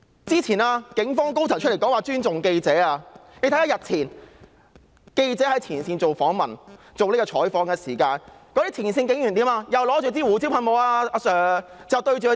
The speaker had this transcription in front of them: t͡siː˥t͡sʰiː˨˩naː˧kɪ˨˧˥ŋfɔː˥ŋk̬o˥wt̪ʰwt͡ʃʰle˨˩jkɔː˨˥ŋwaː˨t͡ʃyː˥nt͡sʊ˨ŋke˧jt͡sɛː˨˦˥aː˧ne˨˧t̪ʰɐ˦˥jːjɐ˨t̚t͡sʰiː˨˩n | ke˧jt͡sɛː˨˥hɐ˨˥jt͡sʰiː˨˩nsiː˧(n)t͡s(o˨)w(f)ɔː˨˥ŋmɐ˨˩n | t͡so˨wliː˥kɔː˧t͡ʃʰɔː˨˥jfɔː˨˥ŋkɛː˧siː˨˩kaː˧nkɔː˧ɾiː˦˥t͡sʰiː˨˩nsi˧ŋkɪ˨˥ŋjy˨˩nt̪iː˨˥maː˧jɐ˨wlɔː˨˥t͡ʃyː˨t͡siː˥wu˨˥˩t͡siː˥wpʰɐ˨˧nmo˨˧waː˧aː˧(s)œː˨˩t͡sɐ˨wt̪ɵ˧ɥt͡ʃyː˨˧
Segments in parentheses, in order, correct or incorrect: correct, correct, correct, correct

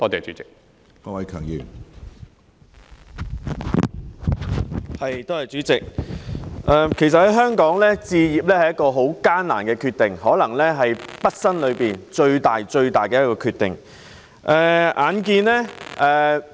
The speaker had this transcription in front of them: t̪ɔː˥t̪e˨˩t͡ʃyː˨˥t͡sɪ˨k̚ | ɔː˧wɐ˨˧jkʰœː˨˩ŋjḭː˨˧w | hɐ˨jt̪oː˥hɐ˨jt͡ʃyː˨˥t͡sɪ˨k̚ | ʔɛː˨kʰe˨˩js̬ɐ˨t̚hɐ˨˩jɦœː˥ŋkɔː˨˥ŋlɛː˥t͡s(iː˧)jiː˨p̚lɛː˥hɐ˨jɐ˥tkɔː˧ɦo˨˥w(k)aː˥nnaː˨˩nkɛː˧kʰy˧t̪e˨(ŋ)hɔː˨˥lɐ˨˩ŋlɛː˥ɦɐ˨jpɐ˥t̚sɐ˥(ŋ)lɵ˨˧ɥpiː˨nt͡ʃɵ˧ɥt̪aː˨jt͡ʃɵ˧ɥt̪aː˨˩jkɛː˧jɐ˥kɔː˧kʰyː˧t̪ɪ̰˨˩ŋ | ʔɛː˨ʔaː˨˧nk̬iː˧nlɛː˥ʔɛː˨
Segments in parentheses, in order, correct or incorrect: correct, correct, correct, incorrect: n

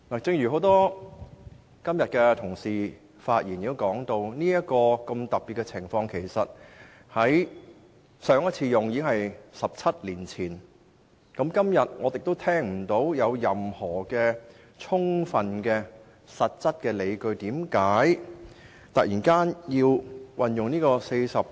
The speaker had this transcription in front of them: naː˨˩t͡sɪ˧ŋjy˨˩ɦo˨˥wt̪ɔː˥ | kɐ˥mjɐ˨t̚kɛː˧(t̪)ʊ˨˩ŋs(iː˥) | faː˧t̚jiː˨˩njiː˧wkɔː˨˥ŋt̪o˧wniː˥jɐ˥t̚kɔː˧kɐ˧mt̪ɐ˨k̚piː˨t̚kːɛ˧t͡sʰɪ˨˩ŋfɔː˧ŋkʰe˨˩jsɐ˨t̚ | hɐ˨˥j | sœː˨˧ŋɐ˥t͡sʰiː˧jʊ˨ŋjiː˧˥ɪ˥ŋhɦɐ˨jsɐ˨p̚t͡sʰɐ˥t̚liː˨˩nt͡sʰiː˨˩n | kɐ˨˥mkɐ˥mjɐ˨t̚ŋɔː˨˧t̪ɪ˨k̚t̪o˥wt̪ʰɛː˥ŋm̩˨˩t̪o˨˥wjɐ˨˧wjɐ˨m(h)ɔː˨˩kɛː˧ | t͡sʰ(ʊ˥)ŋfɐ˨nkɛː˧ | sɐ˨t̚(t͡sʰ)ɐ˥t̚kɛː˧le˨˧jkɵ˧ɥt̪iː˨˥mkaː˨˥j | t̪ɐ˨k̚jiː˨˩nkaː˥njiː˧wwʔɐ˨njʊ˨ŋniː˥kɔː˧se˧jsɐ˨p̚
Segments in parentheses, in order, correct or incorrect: incorrect: t̪ʰ, incorrect: iː˨˩, correct, correct, incorrect: t͡s

